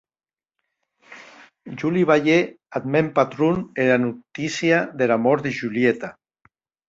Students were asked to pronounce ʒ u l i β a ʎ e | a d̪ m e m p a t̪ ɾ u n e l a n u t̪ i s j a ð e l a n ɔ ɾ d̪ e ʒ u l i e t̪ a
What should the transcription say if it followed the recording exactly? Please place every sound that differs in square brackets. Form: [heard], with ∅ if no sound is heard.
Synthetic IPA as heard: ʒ u l i β a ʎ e | a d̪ m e m p a t̪ ɾ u n e l a n u t̪ i s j a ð e l a [m] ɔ ɾ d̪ e ʒ u l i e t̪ a